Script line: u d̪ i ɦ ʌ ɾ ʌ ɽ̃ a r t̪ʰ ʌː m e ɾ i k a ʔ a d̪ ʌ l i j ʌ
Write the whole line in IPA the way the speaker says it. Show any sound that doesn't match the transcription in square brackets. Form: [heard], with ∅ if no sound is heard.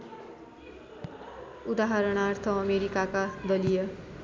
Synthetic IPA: u d̪ [a] ɦ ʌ ɾ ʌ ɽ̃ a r t̪ʰ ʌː m e ɾ i k a [k] a d̪ ʌ l i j ʌ

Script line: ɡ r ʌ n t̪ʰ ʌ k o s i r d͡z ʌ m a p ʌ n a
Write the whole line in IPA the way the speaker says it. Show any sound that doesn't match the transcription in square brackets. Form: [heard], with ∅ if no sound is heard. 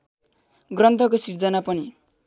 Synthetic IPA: ɡ r ʌ n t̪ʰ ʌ k o s i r d͡z ʌ [n] a p ʌ n [i]

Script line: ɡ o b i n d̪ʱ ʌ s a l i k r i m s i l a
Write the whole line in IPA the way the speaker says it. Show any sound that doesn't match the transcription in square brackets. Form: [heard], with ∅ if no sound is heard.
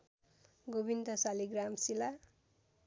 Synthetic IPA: ɡ o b i n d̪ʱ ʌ s a l i [ɡ] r [a] m s i l a

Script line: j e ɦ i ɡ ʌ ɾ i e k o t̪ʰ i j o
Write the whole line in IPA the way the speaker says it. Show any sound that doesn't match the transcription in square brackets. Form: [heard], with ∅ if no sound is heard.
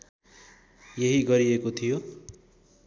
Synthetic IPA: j e ɦ i ɡ ʌ ɾ i e k o t̪ʰ i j o

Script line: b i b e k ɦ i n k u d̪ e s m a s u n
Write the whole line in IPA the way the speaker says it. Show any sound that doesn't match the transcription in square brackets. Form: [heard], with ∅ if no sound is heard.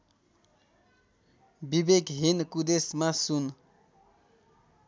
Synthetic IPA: b i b e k ɦ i n k u d̪ e s m a s u n

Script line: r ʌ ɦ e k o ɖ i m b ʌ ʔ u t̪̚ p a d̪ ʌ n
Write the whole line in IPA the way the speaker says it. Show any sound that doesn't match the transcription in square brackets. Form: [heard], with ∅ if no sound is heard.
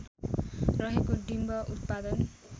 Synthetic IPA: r ʌ ɦ e k o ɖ i m b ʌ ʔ u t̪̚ p a d̪ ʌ n

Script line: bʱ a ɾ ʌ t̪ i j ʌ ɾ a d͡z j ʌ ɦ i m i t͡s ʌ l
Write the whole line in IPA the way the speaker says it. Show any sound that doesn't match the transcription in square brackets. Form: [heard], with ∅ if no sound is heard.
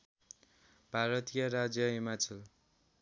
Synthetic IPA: bʱ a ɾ ʌ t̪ i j ʌ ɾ a d͡z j ʌ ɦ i m [a] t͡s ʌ l

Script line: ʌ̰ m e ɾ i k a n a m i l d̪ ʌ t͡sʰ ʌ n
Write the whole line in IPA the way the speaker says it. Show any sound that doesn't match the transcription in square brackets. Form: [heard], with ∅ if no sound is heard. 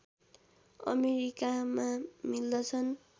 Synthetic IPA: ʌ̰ m e ɾ i k a [m] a m i l d̪ ʌ t͡sʰ ʌ n

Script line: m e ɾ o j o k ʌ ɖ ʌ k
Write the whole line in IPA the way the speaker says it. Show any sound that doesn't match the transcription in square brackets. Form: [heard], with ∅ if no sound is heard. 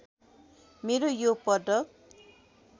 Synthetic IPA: m e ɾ o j o [p] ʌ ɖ ʌ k

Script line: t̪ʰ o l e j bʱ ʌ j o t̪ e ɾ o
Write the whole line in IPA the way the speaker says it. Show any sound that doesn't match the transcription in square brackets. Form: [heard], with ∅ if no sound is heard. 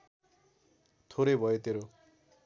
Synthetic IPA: t̪ʰ o [ɾ] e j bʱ ʌ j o t̪ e ɾ o

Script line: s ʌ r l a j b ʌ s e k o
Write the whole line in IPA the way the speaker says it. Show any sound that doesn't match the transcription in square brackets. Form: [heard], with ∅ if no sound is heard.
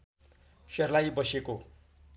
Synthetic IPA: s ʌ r l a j b ʌ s e k o

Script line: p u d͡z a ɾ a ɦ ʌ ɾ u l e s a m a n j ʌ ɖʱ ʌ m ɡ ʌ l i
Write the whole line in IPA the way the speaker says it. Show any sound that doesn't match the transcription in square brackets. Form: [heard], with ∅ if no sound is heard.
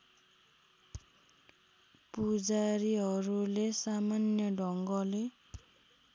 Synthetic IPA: p u d͡z a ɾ [i] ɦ ʌ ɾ u l e s a m a n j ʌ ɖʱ ʌ [ŋ] ɡ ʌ l [e]

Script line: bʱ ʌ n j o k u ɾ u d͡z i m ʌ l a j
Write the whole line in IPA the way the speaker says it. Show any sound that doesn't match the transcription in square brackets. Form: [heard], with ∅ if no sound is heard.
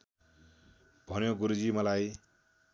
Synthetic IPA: bʱ ʌ n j o [ɡ] u ɾ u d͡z i m ʌ l a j

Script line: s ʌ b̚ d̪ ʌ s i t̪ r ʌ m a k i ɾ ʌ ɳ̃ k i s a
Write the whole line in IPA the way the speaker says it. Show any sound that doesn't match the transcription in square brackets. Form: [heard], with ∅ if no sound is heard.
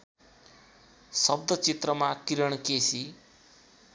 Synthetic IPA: s ʌ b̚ d̪ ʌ [t͡s] i t̪ r ʌ m a k i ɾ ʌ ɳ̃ k [e] s [i]

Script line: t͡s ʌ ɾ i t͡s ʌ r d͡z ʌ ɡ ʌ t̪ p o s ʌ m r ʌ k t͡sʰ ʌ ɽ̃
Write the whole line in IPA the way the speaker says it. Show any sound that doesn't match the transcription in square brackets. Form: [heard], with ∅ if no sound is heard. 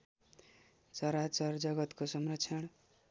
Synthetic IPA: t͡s ʌ ɾ [a] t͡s ʌ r d͡z ʌ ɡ ʌ t̪ [k] o s ʌ m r ʌ k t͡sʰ ʌ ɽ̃

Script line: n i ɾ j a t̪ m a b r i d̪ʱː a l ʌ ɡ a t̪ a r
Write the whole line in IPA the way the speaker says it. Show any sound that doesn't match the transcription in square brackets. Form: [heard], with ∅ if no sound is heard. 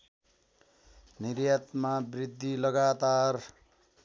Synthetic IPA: n i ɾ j a t̪ m a b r i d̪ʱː [i] l ʌ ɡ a t̪ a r

